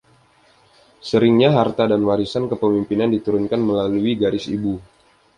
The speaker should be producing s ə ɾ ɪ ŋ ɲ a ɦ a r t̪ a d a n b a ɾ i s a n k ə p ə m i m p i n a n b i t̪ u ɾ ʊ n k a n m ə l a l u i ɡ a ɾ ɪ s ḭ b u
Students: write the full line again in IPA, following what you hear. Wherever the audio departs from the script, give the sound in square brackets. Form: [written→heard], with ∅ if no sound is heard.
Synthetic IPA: s ə ɾ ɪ ŋ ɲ a ɦ a r t̪ a d a n [b→w] a ɾ i s a n k ə p ə m i m p i n a n [b→d] i t̪ u ɾ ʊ n k a n m ə l a l u i ɡ a ɾ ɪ s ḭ b u